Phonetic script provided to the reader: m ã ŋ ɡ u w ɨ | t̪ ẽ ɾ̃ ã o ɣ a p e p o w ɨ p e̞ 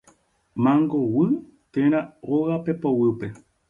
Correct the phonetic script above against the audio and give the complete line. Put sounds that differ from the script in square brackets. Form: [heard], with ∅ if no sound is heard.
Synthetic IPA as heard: m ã ŋ ɡ [o] w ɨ | t̪ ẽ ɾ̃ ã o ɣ a p e p o w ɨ p e̞